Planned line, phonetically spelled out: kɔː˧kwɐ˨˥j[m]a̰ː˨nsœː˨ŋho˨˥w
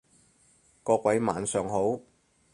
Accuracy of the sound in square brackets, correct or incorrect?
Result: correct